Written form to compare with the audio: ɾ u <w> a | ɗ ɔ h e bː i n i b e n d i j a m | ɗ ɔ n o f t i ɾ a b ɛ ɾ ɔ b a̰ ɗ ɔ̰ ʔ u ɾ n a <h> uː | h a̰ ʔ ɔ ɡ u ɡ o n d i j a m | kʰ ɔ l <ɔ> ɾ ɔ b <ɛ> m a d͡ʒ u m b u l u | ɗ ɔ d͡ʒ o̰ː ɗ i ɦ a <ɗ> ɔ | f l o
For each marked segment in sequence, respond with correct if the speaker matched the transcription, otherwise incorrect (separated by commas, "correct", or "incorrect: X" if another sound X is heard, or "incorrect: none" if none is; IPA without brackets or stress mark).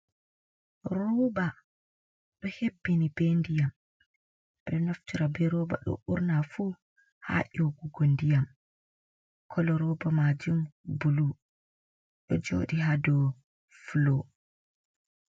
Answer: incorrect: b, incorrect: f, correct, incorrect: a, incorrect: d